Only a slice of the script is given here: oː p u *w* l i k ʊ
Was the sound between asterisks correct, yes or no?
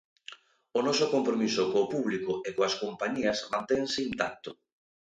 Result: no